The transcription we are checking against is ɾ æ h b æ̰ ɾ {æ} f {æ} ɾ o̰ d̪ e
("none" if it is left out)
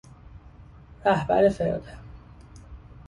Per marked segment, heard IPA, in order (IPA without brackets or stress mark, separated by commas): e, e